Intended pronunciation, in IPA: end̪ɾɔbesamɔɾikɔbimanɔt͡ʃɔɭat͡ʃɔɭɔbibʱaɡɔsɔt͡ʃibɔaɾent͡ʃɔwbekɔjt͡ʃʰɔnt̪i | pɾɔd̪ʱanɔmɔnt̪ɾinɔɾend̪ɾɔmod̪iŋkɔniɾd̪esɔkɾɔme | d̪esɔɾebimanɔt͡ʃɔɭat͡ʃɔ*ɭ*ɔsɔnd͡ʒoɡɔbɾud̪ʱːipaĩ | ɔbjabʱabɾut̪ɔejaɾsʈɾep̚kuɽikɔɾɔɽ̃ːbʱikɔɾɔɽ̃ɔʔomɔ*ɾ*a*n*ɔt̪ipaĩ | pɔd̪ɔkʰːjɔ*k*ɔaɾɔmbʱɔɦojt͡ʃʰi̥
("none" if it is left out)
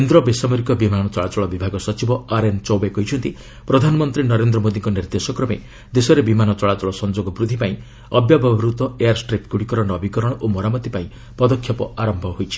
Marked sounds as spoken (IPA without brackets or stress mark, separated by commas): ɭ, ɾ, m, p